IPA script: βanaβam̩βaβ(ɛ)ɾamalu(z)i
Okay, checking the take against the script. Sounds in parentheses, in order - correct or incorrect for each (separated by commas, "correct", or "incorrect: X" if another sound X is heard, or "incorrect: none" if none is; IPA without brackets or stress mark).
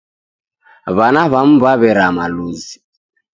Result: correct, correct